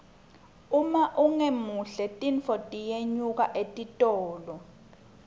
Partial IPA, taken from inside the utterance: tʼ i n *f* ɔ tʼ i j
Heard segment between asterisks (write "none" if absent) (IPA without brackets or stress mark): f